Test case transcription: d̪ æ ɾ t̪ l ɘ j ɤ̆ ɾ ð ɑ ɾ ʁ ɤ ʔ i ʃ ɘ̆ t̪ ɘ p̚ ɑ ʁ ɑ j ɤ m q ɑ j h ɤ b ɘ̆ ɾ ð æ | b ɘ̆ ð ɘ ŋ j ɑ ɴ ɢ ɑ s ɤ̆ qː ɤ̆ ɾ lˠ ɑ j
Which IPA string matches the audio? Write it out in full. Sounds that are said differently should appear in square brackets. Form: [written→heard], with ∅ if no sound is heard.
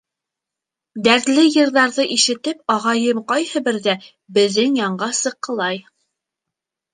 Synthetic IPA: d̪ æ ɾ t̪ l ɘ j ɤ̆ ɾ ð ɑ ɾ [ʁ→ð] ɤ ʔ i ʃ ɘ̆ t̪ ɘ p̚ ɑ ʁ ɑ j ɤ m q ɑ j h ɤ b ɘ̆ ɾ ð æ | b ɘ̆ ð ɘ ŋ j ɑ ɴ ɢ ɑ s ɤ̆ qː ɤ̆ [ɾ→∅] lˠ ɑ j